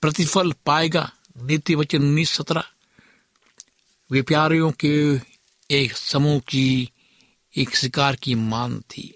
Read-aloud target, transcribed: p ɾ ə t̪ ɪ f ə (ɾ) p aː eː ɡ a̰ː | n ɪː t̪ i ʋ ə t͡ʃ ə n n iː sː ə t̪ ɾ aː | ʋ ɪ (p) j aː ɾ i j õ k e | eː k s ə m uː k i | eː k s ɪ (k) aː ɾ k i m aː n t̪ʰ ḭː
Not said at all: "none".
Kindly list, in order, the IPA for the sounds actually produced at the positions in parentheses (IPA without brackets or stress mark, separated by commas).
l, p, k